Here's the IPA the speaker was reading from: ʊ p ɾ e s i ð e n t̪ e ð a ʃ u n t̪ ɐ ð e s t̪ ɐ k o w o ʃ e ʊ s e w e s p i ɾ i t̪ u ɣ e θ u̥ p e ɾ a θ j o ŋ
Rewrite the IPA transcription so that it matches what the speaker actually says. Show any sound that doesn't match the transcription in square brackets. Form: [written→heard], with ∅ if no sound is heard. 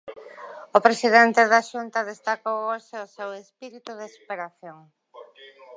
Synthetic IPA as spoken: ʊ p ɾ e s i ð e n t̪ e ð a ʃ u n t̪ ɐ ð e s t̪ [ɐ→a] k o w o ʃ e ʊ s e w e s p i ɾ i t̪ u [ɣ→ð] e [θ→s] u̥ p e ɾ a θ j o ŋ